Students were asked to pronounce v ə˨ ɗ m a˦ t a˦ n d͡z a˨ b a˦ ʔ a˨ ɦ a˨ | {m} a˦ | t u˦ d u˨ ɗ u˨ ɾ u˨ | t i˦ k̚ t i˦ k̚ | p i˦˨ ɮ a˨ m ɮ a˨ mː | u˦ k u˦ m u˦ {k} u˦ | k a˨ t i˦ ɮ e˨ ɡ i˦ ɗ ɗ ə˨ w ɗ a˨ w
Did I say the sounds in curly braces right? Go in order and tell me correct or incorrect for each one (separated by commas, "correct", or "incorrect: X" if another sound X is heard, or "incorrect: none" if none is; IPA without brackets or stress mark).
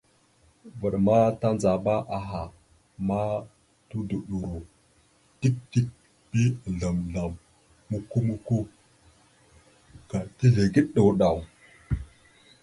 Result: correct, correct